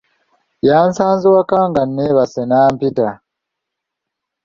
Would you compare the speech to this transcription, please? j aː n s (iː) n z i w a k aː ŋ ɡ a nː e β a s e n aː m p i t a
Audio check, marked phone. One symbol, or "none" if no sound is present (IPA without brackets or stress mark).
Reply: aː